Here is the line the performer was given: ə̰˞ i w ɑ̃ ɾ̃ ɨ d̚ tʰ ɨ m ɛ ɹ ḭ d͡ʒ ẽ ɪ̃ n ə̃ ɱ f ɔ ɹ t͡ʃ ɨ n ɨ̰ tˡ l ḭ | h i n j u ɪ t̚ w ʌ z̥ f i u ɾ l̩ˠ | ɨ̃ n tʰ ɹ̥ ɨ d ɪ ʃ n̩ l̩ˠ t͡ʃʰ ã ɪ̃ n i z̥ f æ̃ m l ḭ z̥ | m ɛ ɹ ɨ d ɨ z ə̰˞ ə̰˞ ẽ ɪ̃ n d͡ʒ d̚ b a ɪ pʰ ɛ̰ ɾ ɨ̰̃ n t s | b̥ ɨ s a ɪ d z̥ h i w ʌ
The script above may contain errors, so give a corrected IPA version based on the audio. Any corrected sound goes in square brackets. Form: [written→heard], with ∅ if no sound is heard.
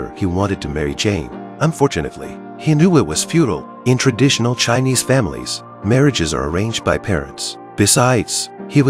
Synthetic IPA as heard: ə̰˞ i w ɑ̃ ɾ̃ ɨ d̚ tʰ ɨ m ɛ ɹ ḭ d͡ʒ ẽ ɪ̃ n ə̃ ɱ f ɔ ɹ t͡ʃ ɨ n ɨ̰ tˡ l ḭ | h i n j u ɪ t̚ w ʌ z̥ f [i→j] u ɾ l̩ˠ | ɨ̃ n tʰ ɹ̥ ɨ d ɪ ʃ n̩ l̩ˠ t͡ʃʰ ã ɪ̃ n i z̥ f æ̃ m l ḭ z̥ | m ɛ ɹ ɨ [d→d͡ʒ] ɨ z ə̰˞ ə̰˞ ẽ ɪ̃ n d͡ʒ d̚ b a ɪ pʰ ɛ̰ [ɾ→ɹ] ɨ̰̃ n t s | b̥ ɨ s a ɪ d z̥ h i w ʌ

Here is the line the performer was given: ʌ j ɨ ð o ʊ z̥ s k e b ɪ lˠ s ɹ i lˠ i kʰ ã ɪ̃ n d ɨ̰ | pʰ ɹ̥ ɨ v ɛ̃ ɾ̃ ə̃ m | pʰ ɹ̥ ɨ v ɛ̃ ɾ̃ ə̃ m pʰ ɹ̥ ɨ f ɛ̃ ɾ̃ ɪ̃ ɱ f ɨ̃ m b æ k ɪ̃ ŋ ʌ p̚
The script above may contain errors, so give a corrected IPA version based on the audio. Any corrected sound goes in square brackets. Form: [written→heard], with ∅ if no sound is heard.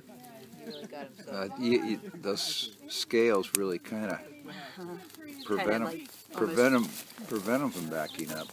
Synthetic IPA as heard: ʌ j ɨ ð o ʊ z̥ s k e [b→∅] ɪ lˠ [s→z] ɹ [i→ɪ] lˠ i kʰ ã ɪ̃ n d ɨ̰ | pʰ ɹ̥ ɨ v ɛ̃ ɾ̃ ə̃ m | pʰ ɹ̥ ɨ v ɛ̃ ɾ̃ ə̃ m pʰ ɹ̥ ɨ [f→v] ɛ̃ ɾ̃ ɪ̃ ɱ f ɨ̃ m b æ k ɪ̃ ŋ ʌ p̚

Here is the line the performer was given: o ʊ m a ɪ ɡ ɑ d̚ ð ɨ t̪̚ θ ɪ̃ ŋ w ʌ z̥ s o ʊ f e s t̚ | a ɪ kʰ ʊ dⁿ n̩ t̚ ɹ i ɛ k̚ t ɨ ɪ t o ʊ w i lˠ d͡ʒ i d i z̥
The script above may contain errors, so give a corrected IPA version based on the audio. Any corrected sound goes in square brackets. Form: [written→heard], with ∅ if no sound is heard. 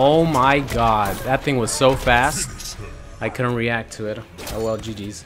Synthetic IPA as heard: o ʊ m a ɪ ɡ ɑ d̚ ð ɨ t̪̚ θ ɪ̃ ŋ w ʌ z̥ s o ʊ f [e→æ] s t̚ | a ɪ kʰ ʊ dⁿ n̩ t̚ ɹ i [ɛ→æ] k̚ [t→tʰ] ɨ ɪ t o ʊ w [i→ɛ] lˠ d͡ʒ i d i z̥

